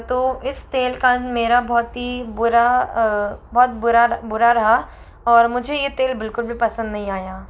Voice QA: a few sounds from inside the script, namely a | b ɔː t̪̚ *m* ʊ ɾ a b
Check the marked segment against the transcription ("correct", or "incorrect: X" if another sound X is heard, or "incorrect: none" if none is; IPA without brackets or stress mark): incorrect: b